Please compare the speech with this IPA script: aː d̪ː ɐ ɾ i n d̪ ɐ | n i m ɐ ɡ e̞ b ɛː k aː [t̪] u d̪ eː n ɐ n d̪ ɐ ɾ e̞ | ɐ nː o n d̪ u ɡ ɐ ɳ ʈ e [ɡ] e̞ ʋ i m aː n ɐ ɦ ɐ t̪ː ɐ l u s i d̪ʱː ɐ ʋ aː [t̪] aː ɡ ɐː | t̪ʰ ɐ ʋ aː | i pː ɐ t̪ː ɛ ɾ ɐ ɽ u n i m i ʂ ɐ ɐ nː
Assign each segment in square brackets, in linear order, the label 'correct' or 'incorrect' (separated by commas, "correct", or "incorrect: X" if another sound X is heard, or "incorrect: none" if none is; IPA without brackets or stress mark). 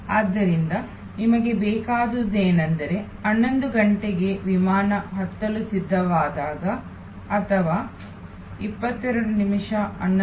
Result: incorrect: d̪, correct, incorrect: d̪